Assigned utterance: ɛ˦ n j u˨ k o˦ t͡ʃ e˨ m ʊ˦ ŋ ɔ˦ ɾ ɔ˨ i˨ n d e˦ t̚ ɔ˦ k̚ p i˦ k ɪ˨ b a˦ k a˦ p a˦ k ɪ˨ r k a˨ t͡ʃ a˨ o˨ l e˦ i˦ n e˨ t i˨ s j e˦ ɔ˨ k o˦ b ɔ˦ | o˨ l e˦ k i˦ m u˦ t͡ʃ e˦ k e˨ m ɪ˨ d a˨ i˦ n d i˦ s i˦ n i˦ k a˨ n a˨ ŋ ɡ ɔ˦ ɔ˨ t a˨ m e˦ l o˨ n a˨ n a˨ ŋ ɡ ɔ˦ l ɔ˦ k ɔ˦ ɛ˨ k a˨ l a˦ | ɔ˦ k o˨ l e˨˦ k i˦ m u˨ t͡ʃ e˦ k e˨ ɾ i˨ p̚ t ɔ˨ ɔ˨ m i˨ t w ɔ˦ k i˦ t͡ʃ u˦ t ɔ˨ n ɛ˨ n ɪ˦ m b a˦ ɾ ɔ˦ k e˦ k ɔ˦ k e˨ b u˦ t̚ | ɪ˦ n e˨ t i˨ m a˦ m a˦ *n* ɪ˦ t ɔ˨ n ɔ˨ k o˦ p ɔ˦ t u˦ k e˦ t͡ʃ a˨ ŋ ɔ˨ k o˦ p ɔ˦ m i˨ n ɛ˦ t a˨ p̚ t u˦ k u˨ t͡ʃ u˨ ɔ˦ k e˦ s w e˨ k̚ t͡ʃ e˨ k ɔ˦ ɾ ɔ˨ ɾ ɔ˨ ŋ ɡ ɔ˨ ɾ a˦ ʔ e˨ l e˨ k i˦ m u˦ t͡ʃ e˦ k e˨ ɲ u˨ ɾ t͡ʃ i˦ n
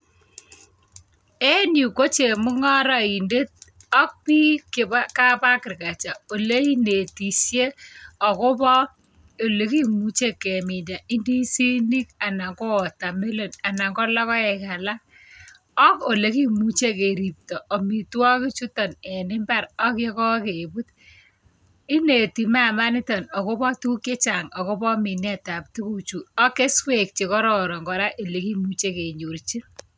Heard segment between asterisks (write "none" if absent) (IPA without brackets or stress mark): n